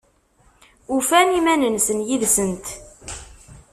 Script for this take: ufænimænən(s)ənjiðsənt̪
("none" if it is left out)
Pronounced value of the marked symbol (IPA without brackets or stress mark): s